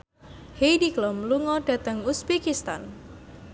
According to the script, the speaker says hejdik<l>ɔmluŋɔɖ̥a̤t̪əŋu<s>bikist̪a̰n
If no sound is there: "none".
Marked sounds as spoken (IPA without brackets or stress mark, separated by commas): l, s